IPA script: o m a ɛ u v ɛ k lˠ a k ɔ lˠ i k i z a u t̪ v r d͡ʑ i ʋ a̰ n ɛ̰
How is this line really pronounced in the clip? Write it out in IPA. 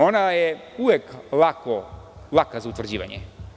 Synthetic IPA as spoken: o n a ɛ u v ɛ k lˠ a k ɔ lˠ a k a z a u t̪ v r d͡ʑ i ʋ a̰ ɲ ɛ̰